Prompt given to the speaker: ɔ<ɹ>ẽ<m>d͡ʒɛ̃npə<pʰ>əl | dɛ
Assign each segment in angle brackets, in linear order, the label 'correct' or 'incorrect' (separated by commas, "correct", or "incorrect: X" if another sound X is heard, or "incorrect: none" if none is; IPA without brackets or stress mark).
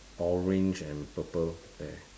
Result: correct, incorrect: n, incorrect: p